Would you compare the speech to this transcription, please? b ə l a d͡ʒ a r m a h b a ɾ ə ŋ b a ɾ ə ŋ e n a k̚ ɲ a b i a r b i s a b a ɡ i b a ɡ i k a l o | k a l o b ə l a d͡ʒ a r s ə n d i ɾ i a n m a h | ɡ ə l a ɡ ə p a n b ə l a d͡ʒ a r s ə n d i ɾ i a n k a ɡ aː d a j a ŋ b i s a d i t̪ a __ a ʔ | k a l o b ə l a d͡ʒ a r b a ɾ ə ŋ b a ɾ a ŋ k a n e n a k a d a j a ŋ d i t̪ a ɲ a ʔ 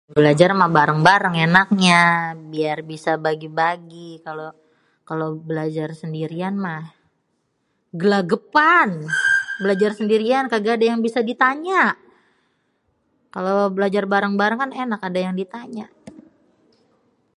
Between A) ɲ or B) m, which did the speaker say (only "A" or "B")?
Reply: A